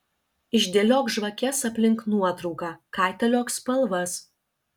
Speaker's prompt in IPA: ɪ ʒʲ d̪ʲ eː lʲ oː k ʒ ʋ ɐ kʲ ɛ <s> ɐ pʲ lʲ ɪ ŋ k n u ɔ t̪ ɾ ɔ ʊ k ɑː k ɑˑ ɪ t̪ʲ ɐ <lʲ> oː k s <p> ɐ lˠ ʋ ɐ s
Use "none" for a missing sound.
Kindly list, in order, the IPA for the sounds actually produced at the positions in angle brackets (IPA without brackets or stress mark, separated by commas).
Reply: s, lʲ, p